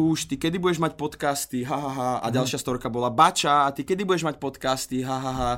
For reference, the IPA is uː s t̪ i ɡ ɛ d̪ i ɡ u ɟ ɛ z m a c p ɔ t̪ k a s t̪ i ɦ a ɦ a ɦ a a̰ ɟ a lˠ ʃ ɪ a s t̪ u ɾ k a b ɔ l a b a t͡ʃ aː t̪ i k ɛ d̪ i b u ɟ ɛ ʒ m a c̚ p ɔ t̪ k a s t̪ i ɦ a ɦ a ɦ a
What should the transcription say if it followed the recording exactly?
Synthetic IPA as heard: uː ʃ t̪ i k ɛ d̪ i b u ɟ ɛ ʒ m a c p ɔ t̪ k a s t̪ i ɦ a ɦ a ɦ a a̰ ɟ a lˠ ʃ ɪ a s t̪ ɔ ɾ k a b ɔ l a b a t͡ʃ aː t̪ i k ɛ d̪ i b u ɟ ɛ ʒ m a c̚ p ɔ t̪ k a s t̪ i ɦ a ɦ a ɦ a